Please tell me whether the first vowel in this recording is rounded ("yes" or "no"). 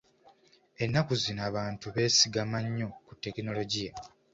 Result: no